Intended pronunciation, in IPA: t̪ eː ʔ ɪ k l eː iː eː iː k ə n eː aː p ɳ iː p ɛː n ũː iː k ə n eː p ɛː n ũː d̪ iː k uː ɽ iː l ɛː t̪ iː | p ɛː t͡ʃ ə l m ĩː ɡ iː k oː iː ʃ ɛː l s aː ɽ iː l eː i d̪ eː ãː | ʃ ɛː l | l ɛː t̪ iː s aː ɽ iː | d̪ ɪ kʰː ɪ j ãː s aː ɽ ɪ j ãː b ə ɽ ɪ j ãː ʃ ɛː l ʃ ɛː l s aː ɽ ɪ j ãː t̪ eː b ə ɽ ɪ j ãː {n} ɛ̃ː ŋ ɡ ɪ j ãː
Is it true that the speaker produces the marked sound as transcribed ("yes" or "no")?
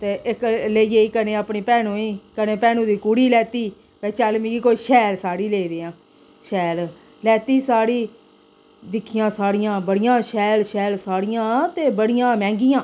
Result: no